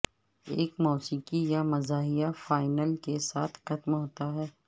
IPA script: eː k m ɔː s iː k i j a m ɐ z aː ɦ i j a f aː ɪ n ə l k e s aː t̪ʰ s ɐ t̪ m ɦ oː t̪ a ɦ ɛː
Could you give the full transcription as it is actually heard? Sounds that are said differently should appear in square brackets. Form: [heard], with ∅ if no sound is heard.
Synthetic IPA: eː k m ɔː s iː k i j a m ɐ z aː ɦ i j a f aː ɪ n ə l k e s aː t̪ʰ [x] ɐ t̪ m ɦ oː t̪ a ɦ ɛː